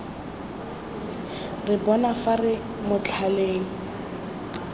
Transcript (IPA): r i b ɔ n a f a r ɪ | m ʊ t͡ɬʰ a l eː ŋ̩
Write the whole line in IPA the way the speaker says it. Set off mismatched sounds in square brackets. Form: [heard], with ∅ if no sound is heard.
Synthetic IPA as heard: r [ɪ] b ɔ n a f a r ɪ | m ʊ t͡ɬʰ a l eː ŋ̩